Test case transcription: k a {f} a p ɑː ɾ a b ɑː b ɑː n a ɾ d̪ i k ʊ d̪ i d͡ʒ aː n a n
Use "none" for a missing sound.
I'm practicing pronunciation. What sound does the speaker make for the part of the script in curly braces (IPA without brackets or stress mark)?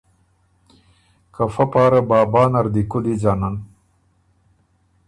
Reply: f